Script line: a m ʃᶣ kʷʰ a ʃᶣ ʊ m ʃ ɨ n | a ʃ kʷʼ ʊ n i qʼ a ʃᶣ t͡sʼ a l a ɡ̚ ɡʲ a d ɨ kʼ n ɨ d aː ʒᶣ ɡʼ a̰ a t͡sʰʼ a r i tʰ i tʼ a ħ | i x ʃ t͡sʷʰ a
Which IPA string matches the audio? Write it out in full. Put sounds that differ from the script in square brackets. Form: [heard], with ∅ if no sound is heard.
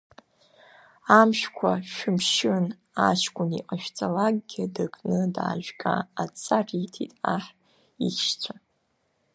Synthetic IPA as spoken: a m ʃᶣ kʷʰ a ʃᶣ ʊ m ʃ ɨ n | a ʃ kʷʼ ʊ n i qʼ a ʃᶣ t͡sʼ a l a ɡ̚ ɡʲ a d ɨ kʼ n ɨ d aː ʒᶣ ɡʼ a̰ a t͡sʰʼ a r i tʰ i tʼ a ħ | i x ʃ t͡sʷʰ a